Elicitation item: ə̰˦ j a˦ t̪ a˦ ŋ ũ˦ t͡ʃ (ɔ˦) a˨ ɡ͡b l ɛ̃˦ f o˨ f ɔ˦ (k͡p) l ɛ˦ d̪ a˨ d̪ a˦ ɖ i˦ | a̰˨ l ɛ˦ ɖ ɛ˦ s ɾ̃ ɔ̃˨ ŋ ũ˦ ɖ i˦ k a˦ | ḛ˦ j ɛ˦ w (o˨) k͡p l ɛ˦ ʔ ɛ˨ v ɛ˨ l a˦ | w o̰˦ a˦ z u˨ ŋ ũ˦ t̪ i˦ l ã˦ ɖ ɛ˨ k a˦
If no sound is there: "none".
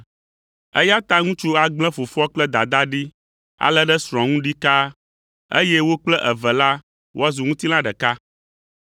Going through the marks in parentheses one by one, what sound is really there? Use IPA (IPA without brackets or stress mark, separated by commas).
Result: u˦, k͡p, o˦